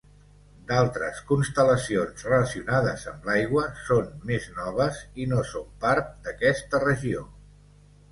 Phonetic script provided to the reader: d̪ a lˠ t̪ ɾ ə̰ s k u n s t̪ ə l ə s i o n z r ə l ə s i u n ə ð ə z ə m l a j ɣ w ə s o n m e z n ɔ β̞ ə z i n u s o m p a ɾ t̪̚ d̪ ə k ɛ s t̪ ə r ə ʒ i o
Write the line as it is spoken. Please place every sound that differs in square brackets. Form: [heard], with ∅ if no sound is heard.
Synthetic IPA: d̪ a lˠ t̪ ɾ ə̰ s k u n s t̪ ə l ə s i o n z r ə l ə s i u n [a] ð ə z ə m l a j ɣ w ə s o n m e z n ɔ β̞ ə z i n [o] s o m p a ɾ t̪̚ d̪ ə k ɛ s t̪ ə r ə ʒ i o

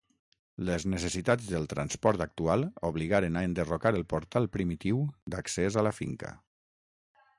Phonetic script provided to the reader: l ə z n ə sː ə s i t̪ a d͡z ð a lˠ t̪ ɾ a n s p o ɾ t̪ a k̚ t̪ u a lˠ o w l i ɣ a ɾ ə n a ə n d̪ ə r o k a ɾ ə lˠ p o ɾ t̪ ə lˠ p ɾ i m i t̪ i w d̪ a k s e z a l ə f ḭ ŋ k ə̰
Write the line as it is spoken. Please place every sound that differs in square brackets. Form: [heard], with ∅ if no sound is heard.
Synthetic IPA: l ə z n ə [s] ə s i t̪ a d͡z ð [ə] lˠ t̪ ɾ a n s p [ɔ] ɾ t̪ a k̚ t̪ u a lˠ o [β] l i ɣ a ɾ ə n a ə n d̪ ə r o k a ɾ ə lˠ p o ɾ t̪ [a] lˠ p ɾ i m i t̪ i w d̪ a k s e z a l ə f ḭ ŋ k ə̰

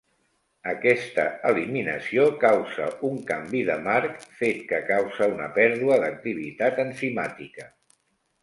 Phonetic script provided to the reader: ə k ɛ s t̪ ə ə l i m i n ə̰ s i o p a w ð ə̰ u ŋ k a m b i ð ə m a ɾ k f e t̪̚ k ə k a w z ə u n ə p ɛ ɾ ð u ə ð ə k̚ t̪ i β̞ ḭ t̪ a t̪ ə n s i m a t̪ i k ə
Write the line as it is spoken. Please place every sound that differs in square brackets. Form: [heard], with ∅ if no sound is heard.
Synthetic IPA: ə k ɛ s t̪ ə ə l i m i n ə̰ s i o [k] a w [z] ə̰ u ŋ k a m b i ð ə m a ɾ k f e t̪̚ k ə k a w z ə u n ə p ɛ ɾ ð u ə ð ə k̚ t̪ i β̞ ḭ t̪ a t̪ ə n s i m a t̪ i k ə

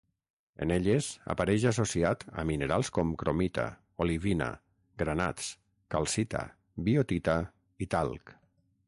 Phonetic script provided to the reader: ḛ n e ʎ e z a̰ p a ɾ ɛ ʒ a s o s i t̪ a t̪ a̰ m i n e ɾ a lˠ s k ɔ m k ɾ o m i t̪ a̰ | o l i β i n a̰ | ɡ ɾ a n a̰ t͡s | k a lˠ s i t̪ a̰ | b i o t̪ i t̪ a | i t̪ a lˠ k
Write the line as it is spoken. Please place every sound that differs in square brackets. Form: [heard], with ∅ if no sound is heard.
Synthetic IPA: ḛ n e ʎ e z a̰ p a ɾ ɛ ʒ a s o s i [∅] a t̪ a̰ m i n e ɾ a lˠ s k ɔ m k ɾ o m i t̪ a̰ | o l i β i n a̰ | ɡ ɾ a n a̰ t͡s | k a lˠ s i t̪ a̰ | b i o t̪ i t̪ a | i t̪ a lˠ k

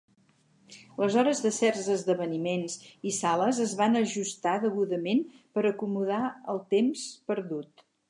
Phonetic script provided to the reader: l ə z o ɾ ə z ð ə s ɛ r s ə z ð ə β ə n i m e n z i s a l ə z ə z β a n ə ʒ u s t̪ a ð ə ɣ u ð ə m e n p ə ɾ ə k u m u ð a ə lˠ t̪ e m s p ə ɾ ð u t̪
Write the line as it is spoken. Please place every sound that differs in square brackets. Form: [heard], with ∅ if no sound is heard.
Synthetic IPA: l ə z [ɔ] ɾ ə z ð ə s ɛ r [z] ə z ð ə β ə n i m e n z i s a l ə z ə z β a n ə ʒ u s t̪ a ð ə ɣ u ð ə m e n p ə ɾ ə k u m u ð a ə lˠ t̪ e m s p ə ɾ ð u t̪

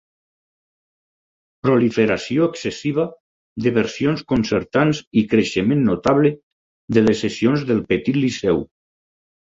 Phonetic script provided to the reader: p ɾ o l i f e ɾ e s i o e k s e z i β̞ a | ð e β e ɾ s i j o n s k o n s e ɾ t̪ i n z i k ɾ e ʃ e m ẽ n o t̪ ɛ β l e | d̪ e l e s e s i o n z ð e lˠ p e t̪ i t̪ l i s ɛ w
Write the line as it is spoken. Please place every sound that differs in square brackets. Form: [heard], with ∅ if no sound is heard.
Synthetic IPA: p ɾ o l i f e ɾ [a] s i o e k s e [s] i β̞ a | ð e β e ɾ s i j o n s k o n s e ɾ t̪ [a] n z i k ɾ e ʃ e m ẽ [nː] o t̪ [a] β l e | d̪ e l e s e s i o n z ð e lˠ p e t̪ i t̪ l i s ɛ w

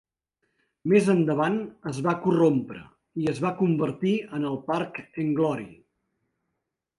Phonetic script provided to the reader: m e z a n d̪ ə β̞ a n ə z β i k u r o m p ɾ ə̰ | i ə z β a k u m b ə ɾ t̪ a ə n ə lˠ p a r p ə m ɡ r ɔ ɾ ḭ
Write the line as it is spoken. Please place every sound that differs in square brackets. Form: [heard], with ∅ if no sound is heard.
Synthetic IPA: m e z [ə] n d̪ ə β̞ a n ə z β [a] k u r o m p ɾ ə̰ | i ə z β a k u m b ə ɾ t̪ [i] ə n ə lˠ p a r [k] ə [ŋ] ɡ [l] ɔ ɾ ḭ

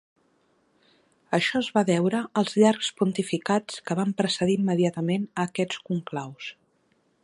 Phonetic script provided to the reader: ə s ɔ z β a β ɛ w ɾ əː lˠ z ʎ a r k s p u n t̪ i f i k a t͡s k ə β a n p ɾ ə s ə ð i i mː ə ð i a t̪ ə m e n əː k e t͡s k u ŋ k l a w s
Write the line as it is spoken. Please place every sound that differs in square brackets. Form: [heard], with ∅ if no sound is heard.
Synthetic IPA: ə [ʃ] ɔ z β a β ɛ w ɾ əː lˠ z ʎ a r k s p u n t̪ i f i k a t͡s k ə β a [m] p ɾ ə s ə ð i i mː ə ð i a t̪ ə m e n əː k [ɛ] t͡s k u ŋ k l a w s

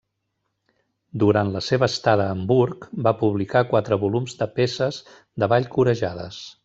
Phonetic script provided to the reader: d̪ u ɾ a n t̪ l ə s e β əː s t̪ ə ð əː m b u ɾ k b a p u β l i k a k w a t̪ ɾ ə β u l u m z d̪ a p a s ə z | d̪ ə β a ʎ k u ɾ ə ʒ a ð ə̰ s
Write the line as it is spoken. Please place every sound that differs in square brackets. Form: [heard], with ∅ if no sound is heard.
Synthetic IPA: d̪ u ɾ a n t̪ l ə s e β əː s t̪ [a] ð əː m b u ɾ k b a p u β l i k a k w a t̪ ɾ ə β u l u m z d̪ [ə] p [e] s ə z | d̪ ə β a ʎ k u ɾ ə ʒ a ð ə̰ s

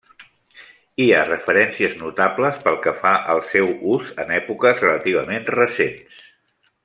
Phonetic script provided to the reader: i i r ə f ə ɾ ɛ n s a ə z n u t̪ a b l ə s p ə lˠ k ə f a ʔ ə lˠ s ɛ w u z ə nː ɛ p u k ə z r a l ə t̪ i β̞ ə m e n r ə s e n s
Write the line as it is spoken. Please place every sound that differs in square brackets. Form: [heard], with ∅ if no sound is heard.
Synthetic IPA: i [a] r ə f ə ɾ ɛ n s [i] ə z n u t̪ a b l ə s p ə lˠ k ə f a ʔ ə lˠ s ɛ w u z ə [n] ɛ p u k ə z r [ə] l ə t̪ i β̞ ə m e n r ə s e n s

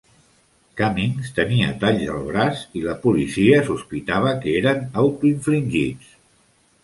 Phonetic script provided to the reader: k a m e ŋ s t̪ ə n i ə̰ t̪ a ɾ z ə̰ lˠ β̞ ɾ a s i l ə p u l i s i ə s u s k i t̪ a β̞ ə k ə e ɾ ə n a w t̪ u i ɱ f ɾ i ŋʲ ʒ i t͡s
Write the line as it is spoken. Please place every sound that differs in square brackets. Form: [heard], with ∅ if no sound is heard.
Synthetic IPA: k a m [i] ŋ s t̪ ə n i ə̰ t̪ a [ʎ] z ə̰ lˠ β̞ ɾ a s i l ə p u l i s i ə s u s [p] i t̪ a β̞ ə k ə e ɾ ə n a w t̪ u i ɱ f [l] i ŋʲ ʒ i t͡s

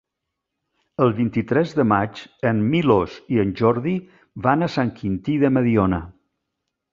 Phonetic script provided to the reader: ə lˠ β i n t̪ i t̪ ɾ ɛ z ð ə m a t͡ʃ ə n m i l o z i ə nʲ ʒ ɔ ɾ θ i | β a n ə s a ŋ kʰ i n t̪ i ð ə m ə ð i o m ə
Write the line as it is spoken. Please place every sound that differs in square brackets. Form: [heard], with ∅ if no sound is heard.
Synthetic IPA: ə lˠ β i n t̪ i t̪ ɾ ɛ z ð ə m a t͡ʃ ə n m i l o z i ə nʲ ʒ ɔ ɾ [ð] i | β a n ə s a ŋ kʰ i n t̪ i ð ə m ə ð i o [n] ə

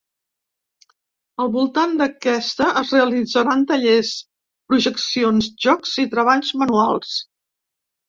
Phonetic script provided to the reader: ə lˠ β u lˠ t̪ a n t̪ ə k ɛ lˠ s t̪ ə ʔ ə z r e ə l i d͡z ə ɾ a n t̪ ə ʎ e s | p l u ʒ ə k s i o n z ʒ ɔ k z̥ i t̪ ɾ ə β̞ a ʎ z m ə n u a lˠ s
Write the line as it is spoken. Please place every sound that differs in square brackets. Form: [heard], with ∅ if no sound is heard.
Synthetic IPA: ə lˠ β u lˠ t̪ a n [d̪] ə k ɛ [∅] s t̪ ə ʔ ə z r e ə l i d͡z ə ɾ a n t̪ ə ʎ e s | p [ɾ] u ʒ ə k s i o n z ʒ ɔ k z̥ i t̪ ɾ ə β̞ a ʎ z m ə n u a lˠ s

